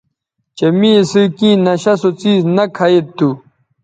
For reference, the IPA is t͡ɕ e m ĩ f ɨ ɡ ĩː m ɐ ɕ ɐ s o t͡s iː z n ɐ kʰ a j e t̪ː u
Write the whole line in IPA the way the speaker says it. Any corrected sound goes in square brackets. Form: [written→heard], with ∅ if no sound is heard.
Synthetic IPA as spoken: t͡ɕ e m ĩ [f→s] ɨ [ɡ→k] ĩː [m→n] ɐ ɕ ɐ s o t͡s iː z n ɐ kʰ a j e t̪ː u